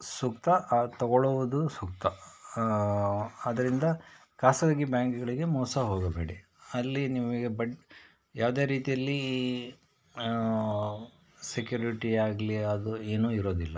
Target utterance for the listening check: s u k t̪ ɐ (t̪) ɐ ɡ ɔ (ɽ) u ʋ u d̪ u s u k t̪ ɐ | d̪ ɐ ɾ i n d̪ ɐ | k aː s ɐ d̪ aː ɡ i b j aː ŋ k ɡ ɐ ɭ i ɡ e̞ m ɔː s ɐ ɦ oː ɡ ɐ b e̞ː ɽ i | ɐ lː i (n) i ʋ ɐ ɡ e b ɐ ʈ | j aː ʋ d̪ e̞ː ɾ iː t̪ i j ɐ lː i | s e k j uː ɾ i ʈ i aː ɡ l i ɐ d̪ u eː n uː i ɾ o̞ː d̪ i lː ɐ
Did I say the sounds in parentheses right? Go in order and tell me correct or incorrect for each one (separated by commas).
correct, incorrect, correct